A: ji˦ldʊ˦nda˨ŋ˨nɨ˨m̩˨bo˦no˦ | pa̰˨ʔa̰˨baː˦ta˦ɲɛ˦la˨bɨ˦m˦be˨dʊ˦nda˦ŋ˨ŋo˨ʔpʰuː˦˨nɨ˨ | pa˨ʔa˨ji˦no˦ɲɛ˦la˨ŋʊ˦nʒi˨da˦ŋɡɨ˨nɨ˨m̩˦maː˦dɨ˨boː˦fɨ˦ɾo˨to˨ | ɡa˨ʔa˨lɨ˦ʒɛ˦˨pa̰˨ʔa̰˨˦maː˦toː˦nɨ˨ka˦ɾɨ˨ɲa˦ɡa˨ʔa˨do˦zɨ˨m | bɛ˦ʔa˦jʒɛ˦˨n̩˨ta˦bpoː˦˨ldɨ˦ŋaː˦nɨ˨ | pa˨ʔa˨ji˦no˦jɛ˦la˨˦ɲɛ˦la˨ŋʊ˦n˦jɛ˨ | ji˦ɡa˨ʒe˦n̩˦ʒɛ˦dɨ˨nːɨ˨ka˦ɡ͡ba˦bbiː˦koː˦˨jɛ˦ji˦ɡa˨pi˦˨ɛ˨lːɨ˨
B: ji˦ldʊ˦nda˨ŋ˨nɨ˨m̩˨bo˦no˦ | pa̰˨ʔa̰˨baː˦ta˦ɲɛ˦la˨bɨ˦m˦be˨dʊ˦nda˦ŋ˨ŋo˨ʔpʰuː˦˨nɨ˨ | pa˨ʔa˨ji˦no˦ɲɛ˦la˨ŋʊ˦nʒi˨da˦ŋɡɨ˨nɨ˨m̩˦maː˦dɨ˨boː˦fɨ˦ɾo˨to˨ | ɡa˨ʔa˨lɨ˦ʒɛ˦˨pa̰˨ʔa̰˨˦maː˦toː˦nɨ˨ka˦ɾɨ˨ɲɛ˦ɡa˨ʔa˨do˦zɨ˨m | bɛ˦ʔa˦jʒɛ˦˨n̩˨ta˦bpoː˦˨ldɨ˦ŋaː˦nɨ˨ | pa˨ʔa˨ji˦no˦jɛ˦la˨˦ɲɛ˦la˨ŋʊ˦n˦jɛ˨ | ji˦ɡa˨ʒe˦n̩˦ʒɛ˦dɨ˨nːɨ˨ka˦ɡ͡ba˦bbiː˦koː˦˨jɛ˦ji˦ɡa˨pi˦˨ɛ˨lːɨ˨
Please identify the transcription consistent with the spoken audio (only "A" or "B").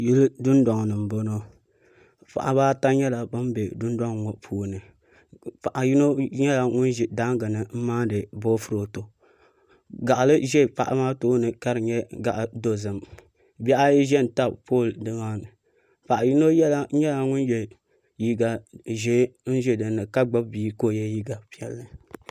B